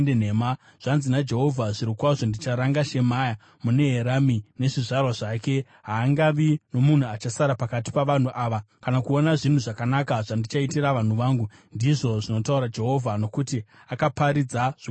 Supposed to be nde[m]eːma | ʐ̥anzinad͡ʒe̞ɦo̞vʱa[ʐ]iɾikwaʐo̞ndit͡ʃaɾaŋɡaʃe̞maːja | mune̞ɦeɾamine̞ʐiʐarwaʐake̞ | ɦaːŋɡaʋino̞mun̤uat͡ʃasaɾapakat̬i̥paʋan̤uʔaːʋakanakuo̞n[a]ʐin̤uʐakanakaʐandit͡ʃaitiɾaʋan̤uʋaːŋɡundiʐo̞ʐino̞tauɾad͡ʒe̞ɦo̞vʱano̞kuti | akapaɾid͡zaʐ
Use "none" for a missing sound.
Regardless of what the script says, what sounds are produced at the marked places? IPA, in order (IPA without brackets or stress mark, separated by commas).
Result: n, ʐ, a